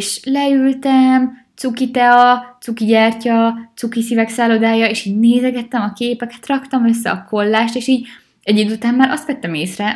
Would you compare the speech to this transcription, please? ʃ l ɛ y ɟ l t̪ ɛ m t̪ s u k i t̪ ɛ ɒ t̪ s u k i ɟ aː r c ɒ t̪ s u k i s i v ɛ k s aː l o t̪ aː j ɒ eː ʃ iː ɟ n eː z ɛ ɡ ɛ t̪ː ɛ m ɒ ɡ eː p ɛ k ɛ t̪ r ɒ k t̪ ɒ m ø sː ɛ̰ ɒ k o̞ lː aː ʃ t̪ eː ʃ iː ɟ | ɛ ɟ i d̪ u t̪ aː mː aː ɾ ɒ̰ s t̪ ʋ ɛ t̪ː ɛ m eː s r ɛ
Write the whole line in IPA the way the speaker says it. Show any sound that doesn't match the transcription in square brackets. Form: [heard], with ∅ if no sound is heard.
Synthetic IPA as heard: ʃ l ɛ y [∅] l t̪ ɛ m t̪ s u k i t̪ ɛ ɒ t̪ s u k i ɟ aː r c ɒ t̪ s u k i s i v ɛ k s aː l o [d̪] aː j ɒ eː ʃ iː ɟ n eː z ɛ ɡ ɛ t̪ː ɛ m ɒ [k] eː p ɛ k ɛ t̪ r ɒ k t̪ ɒ m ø sː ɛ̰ ɒ k o̞ lː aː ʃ t̪ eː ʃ iː ɟ | ɛ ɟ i d̪ u t̪ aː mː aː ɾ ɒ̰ s t̪ ʋ ɛ t̪ː ɛ m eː s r ɛ